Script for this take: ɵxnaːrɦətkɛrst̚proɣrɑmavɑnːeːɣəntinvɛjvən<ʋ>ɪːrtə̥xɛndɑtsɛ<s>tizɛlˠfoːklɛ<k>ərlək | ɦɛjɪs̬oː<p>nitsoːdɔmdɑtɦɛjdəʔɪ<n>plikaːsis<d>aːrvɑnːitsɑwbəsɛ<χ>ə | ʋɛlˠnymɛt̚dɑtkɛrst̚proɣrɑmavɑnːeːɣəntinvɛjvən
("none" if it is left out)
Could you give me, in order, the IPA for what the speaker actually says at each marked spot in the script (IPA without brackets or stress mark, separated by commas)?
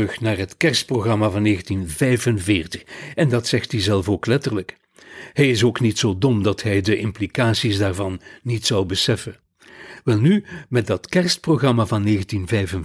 v, x, t, k, m, d, f